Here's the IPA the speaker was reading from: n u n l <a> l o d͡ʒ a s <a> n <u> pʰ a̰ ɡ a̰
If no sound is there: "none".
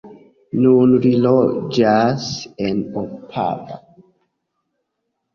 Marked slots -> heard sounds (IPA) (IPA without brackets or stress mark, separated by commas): i, e, o